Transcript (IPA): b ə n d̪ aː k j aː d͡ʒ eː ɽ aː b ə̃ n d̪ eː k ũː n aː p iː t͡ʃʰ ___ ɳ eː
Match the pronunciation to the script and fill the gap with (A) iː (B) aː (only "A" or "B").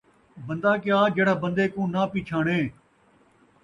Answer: B